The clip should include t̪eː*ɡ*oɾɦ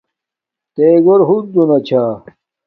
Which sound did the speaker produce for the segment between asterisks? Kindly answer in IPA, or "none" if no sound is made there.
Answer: ɡ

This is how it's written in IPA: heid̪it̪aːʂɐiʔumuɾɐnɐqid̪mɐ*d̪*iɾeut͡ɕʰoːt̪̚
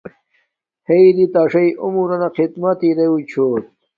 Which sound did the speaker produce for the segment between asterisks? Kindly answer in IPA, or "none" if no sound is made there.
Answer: t̪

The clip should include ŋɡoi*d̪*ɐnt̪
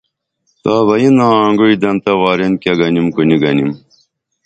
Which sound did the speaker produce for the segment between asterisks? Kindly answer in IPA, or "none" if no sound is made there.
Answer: d̪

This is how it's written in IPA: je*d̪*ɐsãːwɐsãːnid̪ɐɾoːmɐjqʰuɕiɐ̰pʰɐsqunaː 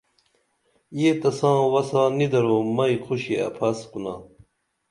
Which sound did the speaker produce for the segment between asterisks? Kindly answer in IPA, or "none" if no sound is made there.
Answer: t̪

